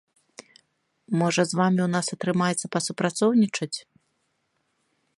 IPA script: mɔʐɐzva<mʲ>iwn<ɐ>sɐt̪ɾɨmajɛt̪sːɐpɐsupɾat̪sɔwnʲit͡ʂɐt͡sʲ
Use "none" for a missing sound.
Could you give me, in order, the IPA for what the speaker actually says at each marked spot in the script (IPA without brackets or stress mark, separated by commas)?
mʲ, a